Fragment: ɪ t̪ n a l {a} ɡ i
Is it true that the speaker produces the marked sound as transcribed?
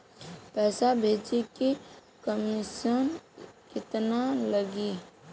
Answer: no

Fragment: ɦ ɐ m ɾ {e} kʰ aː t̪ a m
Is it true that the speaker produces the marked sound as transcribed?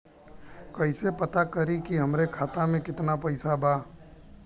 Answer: yes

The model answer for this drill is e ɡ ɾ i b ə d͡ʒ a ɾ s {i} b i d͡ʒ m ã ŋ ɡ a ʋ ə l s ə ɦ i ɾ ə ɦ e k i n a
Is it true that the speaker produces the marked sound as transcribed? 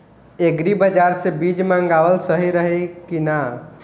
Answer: no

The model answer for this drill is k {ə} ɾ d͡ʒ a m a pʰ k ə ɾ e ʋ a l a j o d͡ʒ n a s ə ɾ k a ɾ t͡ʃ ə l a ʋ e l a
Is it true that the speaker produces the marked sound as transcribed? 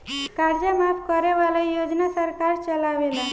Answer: no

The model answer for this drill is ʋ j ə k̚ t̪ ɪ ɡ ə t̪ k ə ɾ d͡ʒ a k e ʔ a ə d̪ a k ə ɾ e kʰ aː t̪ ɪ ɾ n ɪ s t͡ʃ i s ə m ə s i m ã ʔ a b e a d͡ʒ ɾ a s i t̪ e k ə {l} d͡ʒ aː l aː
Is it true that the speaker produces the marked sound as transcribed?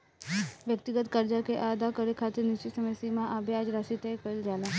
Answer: yes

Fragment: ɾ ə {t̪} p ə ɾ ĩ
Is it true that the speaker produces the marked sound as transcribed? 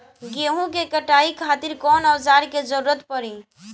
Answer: yes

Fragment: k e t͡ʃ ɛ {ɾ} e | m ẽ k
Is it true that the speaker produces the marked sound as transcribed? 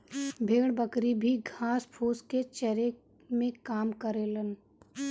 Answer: yes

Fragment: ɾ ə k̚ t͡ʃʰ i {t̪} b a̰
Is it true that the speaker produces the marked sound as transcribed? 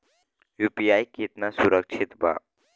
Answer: yes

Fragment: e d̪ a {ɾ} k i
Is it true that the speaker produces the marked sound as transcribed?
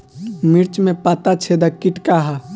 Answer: no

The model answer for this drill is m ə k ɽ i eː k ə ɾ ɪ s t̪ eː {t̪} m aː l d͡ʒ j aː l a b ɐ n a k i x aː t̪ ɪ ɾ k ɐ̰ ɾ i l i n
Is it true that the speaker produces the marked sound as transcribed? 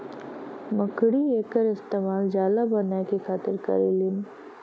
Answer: no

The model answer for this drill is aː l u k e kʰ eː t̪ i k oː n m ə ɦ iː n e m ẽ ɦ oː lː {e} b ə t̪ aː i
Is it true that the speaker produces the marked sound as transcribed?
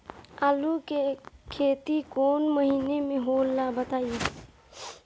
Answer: no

